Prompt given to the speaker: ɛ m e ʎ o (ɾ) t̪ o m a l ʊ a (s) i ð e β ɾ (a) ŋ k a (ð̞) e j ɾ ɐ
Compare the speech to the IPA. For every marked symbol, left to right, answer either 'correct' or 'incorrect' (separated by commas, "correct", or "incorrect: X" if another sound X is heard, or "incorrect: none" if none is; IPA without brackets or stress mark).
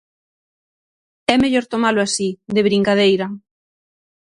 correct, correct, incorrect: i, correct